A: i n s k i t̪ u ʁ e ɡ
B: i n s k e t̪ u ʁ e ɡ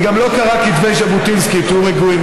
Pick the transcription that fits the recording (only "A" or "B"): A